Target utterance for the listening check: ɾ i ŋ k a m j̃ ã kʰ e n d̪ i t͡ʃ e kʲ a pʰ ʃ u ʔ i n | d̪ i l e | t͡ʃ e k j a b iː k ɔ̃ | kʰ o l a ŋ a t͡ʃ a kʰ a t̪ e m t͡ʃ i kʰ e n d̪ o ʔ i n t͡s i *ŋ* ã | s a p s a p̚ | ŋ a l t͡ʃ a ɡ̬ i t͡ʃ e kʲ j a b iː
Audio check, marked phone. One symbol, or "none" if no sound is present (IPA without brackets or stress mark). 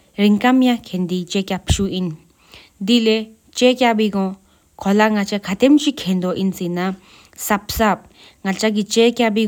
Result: n